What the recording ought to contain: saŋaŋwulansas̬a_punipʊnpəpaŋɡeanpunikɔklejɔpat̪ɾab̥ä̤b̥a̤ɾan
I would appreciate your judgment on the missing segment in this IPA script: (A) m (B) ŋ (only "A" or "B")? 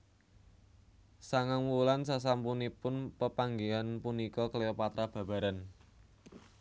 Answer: A